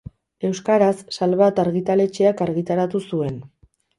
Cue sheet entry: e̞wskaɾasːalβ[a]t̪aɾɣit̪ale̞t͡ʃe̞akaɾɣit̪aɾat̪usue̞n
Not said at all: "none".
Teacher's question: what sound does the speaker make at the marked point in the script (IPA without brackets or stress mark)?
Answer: a